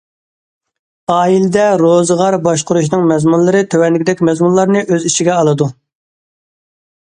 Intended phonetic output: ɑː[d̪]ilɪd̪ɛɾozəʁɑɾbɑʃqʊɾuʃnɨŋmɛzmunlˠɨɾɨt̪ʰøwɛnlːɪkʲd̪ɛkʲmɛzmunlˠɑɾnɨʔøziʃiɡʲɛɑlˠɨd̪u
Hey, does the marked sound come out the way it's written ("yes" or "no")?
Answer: no